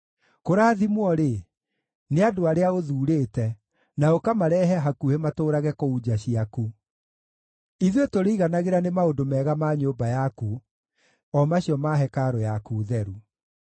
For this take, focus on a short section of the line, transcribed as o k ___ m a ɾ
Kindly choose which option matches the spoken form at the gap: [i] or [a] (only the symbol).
a